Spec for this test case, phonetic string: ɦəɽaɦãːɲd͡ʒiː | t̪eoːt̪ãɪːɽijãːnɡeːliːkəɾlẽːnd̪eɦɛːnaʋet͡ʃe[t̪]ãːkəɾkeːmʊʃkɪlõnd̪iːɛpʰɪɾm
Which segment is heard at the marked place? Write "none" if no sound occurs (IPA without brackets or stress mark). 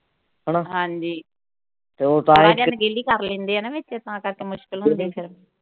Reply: t̪